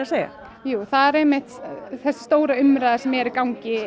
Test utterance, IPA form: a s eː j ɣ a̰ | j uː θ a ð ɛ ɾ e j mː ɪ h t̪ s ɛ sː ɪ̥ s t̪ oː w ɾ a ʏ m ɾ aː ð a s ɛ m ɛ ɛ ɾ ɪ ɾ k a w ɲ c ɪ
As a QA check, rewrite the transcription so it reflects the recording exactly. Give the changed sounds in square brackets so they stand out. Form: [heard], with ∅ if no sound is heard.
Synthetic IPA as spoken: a s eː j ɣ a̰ | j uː θ a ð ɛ ɾ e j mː ɪ h t̪ [θ] ɛ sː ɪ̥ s t̪ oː w ɾ a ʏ m ɾ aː ð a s ɛ m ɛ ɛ ɾ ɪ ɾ k a w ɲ c ɪ